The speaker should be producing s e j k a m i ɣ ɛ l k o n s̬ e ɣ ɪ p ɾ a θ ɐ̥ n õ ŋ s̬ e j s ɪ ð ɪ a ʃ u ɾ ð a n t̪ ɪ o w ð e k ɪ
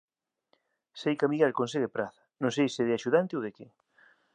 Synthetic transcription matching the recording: s e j k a m i ɣ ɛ l k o n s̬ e ɣ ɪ p ɾ a θ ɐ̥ n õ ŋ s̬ e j s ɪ ð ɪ a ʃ u ð a n t̪ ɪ o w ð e k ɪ